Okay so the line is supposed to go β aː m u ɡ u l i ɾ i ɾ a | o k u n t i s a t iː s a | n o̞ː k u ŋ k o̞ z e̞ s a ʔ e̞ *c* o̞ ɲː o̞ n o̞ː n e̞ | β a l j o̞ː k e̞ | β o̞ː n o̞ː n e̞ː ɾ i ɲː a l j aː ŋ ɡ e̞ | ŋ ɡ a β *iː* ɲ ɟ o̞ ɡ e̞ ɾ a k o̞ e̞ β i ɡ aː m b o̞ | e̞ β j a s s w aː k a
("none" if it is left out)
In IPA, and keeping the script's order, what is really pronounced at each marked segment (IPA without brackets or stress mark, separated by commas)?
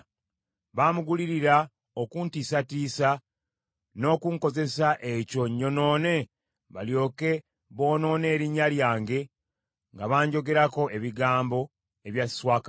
c, aː